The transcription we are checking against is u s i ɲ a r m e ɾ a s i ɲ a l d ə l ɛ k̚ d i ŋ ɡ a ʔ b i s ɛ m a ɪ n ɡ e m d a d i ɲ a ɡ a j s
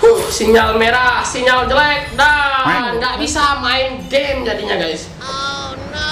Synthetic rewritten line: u s i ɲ a l m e ɾ a s i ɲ a l d͡ʒ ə l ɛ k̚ d a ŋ ɡ a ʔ b i s a m a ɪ n ɡ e m d͡ʒ a d i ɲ a ɡ a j s